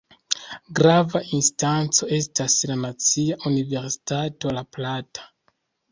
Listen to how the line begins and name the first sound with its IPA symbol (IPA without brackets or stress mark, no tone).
ɡ